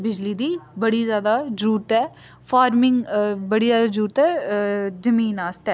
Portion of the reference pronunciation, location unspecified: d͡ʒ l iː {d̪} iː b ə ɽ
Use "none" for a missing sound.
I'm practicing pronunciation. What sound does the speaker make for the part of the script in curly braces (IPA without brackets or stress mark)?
d̪